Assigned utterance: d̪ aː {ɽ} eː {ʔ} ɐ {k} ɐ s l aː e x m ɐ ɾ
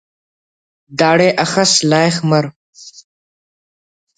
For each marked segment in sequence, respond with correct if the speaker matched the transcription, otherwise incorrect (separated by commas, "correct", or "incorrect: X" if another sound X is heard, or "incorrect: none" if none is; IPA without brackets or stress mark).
correct, correct, incorrect: x